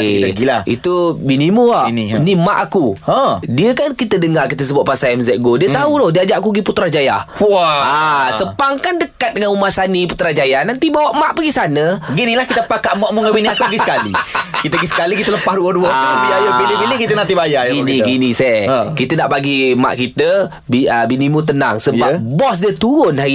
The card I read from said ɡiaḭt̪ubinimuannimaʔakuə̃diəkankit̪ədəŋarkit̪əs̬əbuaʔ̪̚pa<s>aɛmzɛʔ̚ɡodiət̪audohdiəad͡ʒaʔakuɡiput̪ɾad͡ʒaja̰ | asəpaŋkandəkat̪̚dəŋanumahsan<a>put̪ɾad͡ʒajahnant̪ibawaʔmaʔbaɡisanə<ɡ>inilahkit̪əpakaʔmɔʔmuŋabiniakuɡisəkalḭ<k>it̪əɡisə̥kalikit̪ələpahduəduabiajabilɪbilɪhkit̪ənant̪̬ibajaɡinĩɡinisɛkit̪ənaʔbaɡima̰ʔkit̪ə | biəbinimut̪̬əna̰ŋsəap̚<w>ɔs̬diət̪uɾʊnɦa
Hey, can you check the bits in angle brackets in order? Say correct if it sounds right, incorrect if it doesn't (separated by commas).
correct, incorrect, correct, correct, incorrect